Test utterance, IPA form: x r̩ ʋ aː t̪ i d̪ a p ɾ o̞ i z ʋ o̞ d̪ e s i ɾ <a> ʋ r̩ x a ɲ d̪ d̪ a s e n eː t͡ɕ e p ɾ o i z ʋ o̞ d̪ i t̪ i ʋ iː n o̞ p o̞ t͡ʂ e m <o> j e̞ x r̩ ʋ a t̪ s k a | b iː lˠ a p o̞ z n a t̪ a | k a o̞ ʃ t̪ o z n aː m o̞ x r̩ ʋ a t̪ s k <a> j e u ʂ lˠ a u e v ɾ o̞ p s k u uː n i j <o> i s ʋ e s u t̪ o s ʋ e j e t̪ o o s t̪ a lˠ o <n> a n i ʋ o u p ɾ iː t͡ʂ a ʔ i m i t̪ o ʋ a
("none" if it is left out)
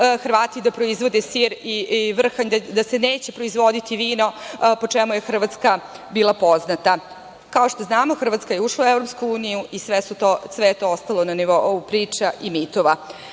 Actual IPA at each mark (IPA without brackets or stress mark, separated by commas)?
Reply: i, u, a, u, n